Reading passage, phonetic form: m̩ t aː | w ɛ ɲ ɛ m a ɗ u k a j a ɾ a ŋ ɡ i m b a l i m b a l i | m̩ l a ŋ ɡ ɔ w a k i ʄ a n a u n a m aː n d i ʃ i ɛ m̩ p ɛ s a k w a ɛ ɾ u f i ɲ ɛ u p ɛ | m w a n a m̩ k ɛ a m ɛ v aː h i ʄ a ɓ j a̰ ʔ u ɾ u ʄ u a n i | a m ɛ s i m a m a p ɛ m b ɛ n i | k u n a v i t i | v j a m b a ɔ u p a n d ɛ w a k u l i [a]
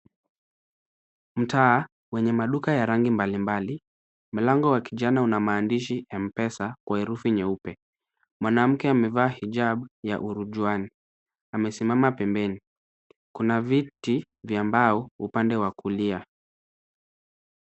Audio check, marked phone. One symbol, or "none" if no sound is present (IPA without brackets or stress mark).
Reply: a